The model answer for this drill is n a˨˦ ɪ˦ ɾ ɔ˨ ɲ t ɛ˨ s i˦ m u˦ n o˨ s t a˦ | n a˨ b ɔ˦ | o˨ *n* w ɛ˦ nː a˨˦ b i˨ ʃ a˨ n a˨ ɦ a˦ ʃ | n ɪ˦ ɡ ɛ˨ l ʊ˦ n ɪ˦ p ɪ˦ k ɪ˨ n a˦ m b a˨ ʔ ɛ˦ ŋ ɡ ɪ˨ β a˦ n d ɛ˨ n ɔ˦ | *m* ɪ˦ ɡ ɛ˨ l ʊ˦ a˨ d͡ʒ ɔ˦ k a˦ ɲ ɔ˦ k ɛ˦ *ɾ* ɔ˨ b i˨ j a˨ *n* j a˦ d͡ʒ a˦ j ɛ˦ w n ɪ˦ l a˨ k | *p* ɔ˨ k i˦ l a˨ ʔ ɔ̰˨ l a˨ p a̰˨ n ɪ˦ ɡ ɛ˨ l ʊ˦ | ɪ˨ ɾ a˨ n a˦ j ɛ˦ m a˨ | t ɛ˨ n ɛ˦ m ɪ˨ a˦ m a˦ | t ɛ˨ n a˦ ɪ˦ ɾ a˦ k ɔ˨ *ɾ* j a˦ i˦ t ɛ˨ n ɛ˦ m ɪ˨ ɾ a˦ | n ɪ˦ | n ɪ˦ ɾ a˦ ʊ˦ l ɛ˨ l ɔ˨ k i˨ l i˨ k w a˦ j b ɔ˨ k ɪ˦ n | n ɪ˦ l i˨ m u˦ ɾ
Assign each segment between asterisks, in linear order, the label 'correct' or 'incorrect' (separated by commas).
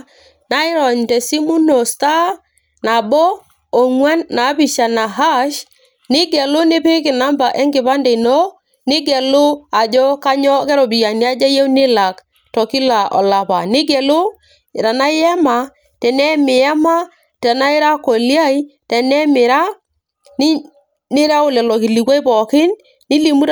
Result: incorrect, incorrect, correct, correct, incorrect, incorrect